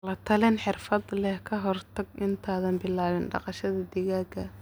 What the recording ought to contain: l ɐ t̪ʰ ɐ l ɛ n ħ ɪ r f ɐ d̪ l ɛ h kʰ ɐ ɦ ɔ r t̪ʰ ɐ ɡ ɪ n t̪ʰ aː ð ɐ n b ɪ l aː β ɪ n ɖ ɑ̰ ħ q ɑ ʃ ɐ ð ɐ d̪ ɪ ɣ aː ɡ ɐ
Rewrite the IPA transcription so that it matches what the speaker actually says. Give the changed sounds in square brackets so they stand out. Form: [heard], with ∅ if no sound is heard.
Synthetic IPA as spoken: l ɐ t̪ʰ ɐ l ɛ n ħ ɪ r f ɐ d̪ l ɛ h kʰ ɐ ɦ ɔ r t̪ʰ ɐ ɡ ɪ n t̪ʰ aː ð ɐ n b ɪ l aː β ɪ n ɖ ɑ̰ [∅] q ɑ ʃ ɐ ð ɐ d̪ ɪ ɣ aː ɡ ɐ